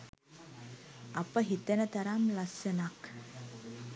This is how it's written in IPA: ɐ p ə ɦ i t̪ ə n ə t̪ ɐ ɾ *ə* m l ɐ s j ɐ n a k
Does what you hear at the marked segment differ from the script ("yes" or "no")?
yes